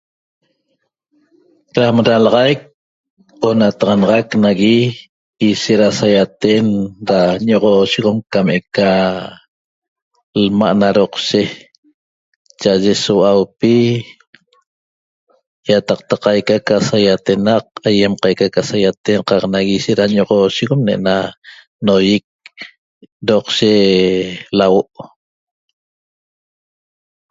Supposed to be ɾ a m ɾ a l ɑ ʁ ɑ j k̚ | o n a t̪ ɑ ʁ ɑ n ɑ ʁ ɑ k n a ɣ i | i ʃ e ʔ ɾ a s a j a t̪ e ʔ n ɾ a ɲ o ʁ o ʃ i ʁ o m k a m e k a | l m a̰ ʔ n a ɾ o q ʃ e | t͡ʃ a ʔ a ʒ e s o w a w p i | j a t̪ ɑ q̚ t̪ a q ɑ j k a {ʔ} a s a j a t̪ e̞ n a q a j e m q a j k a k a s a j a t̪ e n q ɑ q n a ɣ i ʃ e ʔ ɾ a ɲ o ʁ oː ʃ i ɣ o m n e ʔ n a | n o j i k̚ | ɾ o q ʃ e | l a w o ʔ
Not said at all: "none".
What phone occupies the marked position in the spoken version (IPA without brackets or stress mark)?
k